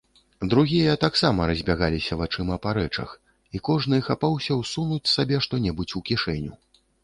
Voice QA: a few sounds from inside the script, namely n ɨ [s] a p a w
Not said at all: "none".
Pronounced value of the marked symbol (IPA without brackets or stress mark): x